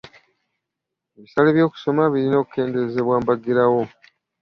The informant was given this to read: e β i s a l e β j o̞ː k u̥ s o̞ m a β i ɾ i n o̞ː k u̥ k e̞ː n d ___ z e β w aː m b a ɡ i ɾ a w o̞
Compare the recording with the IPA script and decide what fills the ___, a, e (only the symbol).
e